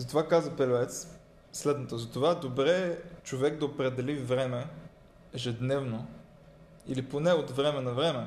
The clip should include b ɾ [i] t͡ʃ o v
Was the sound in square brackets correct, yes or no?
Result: no